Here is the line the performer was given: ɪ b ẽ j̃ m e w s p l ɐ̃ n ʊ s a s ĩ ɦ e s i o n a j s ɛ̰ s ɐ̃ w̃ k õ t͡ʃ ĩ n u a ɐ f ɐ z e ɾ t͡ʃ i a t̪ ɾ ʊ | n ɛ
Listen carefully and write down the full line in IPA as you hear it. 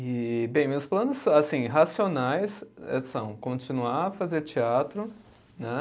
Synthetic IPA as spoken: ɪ b ẽ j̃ m e w s p l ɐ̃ n ʊ s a s ĩ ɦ a s i o n a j s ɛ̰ s ɐ̃ w̃ k õ t͡ʃ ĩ n u a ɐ f a z e ɾ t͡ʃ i a t̪ ɾ ʊ | n ɛ